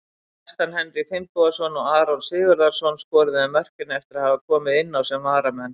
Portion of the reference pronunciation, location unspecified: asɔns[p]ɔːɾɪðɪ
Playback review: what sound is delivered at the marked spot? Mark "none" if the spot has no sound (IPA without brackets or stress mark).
k